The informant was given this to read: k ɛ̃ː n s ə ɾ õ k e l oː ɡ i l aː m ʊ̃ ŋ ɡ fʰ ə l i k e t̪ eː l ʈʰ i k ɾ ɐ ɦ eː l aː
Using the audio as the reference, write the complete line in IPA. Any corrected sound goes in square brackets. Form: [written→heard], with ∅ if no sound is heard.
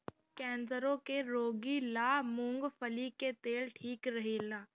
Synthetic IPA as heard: k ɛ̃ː n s ə ɾ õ k e [l→ɾ] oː ɡ i l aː m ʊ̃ ŋ ɡ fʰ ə l i k e t̪ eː l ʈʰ [i→iː] k ɾ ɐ ɦ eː l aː